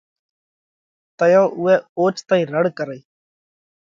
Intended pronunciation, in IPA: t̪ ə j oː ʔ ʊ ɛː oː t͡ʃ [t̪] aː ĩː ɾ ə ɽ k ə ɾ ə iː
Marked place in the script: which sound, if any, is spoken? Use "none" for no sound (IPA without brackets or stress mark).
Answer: t̪